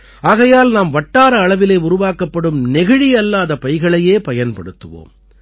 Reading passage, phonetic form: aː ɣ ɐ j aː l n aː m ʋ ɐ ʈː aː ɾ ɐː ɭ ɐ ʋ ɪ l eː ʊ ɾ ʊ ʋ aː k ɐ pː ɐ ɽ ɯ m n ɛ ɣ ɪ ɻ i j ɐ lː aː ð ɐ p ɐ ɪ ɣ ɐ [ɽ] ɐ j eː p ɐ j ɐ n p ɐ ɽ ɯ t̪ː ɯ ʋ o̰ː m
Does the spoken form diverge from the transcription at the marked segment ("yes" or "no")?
yes